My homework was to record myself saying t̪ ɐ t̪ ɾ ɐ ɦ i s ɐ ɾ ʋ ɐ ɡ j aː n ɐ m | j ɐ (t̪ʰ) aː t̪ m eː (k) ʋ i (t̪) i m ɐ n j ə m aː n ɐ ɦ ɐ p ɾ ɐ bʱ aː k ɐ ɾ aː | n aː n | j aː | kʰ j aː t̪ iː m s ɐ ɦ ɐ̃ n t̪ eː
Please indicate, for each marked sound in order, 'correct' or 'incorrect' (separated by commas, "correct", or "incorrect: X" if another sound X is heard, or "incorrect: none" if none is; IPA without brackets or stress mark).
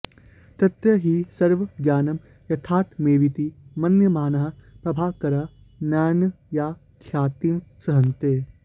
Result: correct, incorrect: none, correct